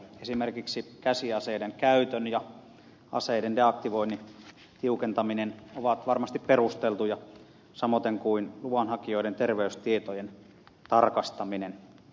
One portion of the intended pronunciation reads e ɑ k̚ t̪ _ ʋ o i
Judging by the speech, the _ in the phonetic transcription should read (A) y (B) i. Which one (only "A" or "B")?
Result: B